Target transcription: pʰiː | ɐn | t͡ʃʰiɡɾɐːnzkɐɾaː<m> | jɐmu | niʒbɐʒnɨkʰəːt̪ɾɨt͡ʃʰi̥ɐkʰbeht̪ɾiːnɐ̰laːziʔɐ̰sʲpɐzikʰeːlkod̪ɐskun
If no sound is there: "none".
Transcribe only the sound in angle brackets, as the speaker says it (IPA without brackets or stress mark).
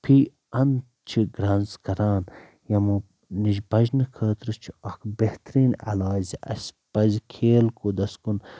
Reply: n